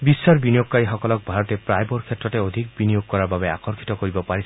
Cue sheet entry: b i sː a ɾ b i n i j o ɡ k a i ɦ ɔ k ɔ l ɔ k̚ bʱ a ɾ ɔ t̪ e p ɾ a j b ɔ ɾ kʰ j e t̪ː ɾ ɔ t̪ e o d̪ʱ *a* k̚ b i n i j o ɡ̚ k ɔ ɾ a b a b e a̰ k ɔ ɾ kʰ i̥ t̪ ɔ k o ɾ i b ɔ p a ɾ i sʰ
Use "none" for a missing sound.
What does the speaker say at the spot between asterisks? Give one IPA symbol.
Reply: i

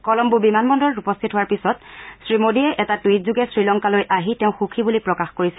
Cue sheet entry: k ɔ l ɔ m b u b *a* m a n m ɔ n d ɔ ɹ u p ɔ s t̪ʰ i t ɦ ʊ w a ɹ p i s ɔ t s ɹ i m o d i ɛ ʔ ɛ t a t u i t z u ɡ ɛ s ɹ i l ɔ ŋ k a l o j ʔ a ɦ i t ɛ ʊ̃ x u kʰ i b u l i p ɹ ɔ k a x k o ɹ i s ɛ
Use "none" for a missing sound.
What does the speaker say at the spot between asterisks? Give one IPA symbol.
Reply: i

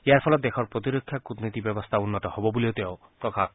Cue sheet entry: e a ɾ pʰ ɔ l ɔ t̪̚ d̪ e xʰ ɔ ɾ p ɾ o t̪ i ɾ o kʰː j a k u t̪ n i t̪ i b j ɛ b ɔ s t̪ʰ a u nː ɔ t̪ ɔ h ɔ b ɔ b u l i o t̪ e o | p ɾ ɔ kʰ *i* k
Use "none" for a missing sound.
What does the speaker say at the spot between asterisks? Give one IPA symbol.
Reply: a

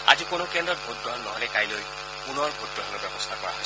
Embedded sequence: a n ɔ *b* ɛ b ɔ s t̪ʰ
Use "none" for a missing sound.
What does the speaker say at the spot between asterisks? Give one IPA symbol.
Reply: b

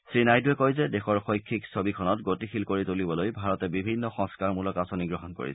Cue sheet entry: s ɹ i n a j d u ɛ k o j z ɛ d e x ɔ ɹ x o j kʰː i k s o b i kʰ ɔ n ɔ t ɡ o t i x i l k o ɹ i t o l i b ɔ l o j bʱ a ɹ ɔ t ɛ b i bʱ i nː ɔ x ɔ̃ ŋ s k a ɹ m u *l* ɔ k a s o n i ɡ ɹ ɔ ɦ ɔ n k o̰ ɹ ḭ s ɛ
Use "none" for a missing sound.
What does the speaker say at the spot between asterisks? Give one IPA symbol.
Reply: l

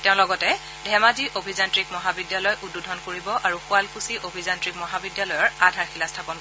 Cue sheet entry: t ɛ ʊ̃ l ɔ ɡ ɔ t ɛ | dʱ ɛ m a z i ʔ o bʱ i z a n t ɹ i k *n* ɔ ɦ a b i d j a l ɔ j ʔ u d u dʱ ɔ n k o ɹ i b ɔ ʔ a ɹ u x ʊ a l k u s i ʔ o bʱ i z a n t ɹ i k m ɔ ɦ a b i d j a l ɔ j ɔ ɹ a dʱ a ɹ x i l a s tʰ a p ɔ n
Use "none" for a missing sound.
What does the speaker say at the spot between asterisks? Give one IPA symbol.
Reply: m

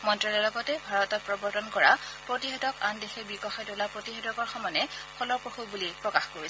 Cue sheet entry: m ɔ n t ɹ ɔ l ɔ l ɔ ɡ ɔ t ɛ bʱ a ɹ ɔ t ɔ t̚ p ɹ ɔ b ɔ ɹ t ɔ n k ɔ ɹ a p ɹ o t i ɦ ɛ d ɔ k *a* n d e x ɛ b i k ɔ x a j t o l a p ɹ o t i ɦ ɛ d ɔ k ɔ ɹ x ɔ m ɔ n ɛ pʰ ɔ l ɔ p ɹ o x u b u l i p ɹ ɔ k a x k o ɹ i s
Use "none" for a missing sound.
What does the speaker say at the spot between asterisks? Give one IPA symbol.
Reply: a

